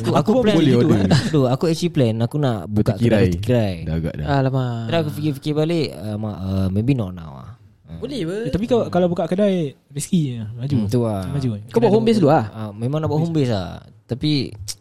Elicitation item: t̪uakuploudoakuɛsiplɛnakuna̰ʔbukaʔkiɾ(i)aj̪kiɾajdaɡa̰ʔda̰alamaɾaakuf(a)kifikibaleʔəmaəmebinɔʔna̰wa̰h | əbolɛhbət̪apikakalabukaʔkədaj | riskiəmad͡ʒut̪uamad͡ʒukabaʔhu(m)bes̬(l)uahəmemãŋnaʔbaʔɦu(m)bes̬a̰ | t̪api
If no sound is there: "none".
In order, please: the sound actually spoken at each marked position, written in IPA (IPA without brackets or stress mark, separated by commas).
a, i, m, l, m